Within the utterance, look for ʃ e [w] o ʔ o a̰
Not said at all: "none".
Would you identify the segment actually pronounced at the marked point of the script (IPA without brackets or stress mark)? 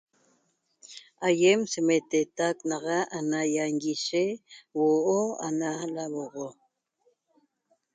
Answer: w